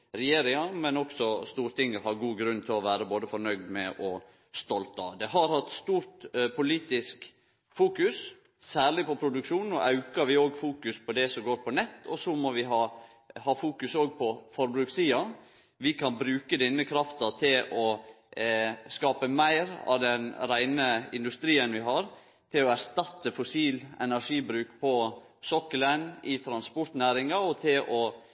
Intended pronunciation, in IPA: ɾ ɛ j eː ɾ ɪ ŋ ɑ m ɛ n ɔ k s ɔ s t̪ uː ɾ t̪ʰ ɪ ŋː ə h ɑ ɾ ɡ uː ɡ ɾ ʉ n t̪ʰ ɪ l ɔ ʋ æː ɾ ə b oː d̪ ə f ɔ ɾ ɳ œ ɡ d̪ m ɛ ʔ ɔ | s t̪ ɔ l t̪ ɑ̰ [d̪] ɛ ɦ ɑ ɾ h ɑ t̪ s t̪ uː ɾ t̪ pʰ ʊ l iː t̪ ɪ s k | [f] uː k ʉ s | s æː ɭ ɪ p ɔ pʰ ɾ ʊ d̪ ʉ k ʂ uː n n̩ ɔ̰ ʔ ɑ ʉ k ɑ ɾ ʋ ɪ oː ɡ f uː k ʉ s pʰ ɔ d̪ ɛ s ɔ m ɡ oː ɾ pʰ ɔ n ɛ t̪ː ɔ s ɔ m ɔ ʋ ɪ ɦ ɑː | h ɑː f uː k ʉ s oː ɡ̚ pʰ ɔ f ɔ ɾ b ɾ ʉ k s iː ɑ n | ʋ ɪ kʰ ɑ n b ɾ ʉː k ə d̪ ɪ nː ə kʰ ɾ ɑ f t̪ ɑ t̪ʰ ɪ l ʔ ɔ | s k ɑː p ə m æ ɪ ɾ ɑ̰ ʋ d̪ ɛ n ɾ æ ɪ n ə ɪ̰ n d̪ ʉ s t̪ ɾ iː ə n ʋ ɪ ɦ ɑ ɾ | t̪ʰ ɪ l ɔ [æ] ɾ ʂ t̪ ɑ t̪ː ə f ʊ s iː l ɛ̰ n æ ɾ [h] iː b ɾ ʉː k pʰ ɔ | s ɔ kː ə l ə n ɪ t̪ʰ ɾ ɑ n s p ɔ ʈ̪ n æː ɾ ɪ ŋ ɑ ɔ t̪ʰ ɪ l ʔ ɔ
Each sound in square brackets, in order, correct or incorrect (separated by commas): correct, correct, correct, incorrect